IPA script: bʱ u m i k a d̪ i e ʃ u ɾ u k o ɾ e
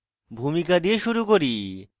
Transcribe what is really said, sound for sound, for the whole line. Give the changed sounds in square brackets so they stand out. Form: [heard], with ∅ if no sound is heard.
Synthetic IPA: bʱ u m i k a d̪ i e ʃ u ɾ u k o ɾ [i]